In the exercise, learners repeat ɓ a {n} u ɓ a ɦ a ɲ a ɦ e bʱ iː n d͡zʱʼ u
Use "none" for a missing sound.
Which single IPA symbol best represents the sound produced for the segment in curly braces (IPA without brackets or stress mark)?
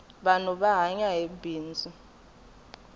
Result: n